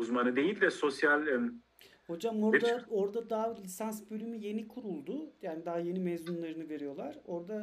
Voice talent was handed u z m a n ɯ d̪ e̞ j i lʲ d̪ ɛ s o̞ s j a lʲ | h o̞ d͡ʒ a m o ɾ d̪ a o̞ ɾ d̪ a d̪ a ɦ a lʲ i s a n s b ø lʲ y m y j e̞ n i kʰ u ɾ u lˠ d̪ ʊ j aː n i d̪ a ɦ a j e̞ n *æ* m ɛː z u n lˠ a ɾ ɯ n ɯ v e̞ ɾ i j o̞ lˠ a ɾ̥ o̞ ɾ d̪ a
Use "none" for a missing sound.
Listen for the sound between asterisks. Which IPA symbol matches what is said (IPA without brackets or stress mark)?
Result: i